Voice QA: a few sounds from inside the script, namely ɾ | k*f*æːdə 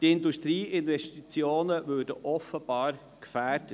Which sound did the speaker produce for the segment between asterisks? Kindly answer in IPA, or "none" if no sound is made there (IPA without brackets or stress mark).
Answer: f